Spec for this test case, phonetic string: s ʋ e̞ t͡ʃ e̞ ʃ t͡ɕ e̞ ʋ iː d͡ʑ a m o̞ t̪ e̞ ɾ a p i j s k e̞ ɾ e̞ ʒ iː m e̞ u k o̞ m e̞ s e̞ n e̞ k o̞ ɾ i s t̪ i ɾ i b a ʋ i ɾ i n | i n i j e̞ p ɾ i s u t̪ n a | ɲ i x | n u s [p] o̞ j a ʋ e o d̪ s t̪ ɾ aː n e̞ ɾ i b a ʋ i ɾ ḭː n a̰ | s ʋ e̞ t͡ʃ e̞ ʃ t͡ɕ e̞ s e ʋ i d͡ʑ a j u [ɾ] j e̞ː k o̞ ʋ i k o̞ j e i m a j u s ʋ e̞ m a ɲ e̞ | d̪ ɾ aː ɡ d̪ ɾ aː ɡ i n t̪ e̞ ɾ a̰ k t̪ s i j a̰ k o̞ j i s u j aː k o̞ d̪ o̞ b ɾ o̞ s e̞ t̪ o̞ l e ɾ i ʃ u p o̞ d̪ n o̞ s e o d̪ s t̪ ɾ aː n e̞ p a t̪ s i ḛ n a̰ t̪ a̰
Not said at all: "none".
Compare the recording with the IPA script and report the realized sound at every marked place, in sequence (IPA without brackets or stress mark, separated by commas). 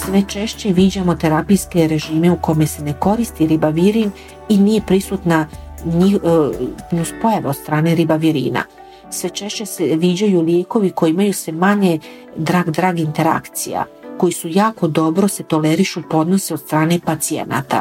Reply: p, l